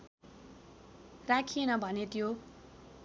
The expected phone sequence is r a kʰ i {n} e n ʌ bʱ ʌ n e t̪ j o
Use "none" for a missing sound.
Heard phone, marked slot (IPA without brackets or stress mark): none